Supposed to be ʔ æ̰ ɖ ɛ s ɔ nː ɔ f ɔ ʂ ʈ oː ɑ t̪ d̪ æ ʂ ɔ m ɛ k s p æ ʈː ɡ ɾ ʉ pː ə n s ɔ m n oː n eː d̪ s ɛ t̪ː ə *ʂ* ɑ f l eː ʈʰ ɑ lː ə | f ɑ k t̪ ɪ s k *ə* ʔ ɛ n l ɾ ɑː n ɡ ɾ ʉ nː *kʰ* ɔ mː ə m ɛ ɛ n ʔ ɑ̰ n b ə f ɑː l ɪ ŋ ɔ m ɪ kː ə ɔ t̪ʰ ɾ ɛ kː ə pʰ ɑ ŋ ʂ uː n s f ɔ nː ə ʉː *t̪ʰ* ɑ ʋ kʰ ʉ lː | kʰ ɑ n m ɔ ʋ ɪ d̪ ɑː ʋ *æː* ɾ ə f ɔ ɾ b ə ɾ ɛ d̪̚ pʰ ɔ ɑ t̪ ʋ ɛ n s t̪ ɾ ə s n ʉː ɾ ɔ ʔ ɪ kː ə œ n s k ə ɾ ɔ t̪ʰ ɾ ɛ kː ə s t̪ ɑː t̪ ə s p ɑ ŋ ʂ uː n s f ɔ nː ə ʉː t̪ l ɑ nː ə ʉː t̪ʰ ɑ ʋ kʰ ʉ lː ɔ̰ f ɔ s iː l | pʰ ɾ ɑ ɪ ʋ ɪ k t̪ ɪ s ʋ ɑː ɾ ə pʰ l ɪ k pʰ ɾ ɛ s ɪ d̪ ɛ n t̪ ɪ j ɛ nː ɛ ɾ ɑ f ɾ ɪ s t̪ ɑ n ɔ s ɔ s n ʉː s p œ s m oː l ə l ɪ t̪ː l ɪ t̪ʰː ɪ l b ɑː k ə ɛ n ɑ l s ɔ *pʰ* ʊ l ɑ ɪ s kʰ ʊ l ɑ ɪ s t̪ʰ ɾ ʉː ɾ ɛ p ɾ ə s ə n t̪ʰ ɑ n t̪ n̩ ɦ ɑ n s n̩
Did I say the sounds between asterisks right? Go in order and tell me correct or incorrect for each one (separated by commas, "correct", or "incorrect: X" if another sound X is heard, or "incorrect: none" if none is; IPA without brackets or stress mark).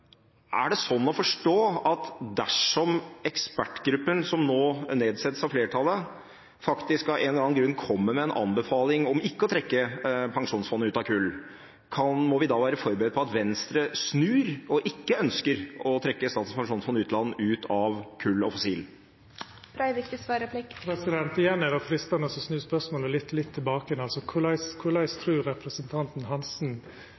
incorrect: s, incorrect: ɑ, correct, incorrect: t̪, correct, incorrect: kʰ